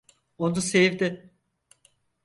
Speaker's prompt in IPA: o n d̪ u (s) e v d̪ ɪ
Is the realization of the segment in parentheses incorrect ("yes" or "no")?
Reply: no